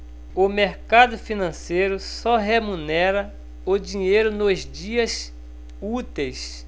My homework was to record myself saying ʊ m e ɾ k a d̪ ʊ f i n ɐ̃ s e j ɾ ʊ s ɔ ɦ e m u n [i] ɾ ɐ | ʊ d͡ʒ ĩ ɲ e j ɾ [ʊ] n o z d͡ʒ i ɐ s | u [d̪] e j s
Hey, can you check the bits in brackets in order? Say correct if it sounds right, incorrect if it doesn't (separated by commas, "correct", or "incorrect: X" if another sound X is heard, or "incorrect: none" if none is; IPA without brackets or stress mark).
incorrect: ɛ, correct, incorrect: t̪